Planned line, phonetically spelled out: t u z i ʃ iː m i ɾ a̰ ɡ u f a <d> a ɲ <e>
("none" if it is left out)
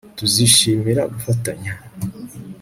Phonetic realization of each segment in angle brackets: t, a

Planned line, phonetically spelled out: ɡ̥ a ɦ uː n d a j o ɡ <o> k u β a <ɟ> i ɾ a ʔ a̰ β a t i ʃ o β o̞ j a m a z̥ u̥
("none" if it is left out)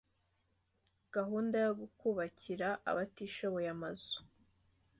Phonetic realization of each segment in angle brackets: u, c

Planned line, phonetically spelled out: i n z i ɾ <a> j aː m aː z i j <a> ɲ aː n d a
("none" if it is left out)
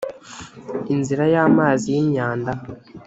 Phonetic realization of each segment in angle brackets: a, i

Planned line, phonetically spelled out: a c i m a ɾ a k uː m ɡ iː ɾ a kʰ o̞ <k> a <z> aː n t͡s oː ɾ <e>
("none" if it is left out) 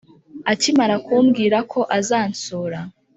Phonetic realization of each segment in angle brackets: ʔ, z, a

